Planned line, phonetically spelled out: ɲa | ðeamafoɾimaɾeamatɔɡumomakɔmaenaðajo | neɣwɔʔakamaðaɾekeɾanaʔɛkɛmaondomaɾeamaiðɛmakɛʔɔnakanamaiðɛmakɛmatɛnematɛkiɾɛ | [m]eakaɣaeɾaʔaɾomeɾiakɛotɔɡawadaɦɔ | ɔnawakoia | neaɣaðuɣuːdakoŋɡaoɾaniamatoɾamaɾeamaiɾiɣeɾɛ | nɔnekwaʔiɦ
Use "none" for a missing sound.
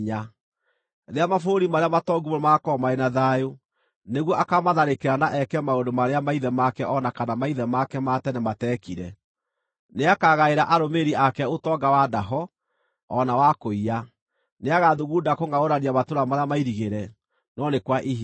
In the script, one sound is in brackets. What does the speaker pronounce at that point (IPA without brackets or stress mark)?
n